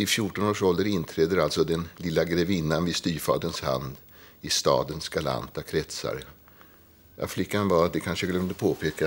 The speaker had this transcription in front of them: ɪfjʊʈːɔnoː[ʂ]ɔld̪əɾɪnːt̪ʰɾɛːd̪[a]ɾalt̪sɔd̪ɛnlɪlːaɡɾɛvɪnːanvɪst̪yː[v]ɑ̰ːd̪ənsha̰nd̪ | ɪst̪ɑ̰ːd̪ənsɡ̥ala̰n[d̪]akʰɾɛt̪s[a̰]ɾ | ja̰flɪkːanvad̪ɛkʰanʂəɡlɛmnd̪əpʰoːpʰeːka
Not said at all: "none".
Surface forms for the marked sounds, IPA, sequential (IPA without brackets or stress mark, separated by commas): ʂ, ə, f, t̪, a̰